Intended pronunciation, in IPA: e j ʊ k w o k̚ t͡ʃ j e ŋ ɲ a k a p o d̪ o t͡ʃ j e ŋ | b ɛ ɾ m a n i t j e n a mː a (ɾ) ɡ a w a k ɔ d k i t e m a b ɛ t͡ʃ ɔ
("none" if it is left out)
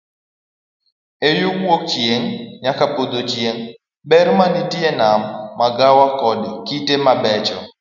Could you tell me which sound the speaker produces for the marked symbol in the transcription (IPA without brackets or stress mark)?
none